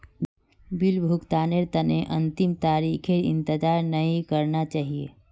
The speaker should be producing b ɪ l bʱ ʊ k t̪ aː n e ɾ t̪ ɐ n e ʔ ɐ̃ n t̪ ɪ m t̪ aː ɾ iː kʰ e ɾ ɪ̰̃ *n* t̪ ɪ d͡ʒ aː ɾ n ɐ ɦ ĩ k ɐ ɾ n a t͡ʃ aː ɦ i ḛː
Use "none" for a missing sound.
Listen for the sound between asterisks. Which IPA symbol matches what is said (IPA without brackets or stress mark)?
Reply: n